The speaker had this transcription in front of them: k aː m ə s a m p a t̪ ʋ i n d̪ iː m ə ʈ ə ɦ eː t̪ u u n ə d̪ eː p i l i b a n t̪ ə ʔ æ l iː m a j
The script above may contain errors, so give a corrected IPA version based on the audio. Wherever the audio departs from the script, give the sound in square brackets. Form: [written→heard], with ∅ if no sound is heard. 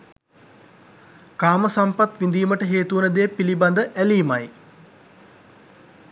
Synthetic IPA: k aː m ə s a m p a t̪ ʋ i n d̪ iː m ə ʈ ə ɦ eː t̪ u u n ə d̪ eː p i l i b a n [t̪→d̪] ə ʔ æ l iː m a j